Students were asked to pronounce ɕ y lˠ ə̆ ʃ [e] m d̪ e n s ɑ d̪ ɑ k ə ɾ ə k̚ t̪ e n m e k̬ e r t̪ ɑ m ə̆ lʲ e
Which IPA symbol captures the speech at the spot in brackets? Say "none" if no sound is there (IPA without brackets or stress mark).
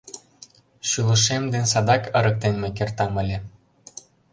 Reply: e